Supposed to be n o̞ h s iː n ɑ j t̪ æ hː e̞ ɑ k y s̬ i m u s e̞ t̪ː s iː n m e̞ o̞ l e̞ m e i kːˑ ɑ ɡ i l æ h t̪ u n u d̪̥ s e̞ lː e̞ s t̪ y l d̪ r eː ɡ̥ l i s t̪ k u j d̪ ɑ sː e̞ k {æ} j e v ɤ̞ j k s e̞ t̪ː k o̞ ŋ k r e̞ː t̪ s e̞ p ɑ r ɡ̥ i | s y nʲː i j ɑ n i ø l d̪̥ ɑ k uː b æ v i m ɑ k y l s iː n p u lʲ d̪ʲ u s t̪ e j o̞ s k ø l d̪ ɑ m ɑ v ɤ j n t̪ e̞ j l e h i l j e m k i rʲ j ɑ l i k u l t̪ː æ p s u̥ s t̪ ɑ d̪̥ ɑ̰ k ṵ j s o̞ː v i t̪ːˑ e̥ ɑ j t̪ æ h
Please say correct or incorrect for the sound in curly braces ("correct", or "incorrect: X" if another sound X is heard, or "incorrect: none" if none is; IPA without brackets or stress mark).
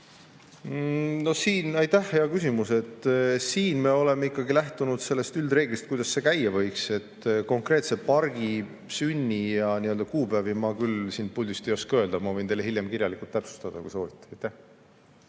correct